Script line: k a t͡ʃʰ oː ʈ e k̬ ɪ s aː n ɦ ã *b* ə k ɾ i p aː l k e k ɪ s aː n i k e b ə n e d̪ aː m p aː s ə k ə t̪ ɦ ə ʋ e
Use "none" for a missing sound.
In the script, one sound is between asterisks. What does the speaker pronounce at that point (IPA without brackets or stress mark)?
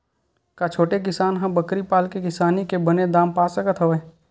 b